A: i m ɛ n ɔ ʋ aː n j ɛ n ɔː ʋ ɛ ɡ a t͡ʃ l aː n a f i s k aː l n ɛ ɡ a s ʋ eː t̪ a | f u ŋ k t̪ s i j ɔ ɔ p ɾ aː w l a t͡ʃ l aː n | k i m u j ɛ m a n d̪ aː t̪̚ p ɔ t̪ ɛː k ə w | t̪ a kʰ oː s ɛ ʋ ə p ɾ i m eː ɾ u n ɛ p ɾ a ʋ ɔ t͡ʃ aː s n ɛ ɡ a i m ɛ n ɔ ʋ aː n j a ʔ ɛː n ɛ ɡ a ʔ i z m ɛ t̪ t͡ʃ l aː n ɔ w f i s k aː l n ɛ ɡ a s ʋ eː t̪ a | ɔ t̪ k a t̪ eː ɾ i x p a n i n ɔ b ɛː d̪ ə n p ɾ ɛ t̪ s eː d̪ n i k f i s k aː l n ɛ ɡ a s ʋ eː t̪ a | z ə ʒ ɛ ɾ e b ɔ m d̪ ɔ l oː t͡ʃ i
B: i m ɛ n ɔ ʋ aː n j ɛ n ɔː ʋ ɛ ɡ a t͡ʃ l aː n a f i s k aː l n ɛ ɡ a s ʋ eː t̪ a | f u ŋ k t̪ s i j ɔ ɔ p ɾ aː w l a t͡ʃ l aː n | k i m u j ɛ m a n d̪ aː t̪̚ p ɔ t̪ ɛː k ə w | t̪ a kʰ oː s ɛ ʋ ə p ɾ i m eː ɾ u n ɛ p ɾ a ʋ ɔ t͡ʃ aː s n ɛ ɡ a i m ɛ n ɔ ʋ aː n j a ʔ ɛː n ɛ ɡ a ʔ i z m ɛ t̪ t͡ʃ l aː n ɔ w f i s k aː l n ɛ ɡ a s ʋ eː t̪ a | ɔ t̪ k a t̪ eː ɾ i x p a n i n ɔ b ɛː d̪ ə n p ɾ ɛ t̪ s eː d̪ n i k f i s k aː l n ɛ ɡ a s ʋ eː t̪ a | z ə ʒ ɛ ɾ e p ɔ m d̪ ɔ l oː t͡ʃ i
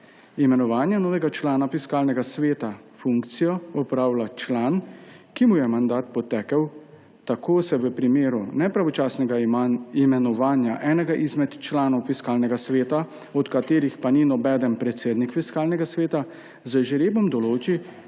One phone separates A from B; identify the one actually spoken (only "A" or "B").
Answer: A